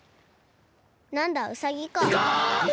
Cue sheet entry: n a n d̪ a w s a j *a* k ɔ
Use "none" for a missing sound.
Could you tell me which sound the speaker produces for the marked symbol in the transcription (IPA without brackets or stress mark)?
i